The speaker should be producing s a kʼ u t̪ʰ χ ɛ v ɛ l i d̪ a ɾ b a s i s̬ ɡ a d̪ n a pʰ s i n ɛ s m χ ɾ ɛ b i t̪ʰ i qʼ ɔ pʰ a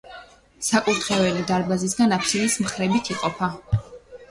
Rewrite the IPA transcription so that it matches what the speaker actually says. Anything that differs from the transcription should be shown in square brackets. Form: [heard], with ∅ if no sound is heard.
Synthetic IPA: s a kʼ u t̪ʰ χ ɛ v ɛ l i d̪ a ɾ b a [z] i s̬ ɡ a [∅] n a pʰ s i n [i] s m χ ɾ ɛ b i t̪ʰ i qʼ ɔ pʰ a